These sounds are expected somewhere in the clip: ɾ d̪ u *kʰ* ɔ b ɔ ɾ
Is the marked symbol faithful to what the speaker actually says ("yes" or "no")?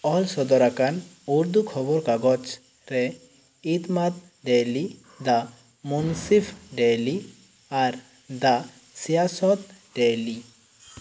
yes